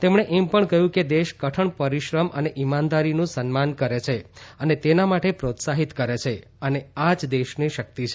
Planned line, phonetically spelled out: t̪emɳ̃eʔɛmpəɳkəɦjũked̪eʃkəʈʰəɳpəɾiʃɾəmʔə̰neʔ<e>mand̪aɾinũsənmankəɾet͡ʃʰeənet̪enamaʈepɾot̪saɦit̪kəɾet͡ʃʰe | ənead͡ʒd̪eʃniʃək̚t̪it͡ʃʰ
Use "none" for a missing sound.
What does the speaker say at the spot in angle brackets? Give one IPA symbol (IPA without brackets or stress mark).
i